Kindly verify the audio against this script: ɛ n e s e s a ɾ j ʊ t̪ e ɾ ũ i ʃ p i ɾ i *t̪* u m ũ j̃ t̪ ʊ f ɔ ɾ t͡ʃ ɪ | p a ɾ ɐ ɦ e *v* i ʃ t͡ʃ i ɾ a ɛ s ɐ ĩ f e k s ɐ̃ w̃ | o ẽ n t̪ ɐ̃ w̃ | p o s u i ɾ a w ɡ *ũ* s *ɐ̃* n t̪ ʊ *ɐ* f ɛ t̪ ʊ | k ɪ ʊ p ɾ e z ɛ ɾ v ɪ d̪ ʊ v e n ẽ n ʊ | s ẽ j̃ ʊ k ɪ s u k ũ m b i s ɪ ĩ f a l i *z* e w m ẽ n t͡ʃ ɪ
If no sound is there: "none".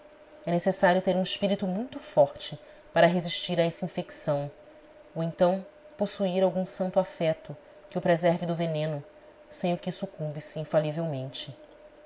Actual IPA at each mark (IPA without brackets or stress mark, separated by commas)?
t̪, z, ũ, ɐ̃, a, v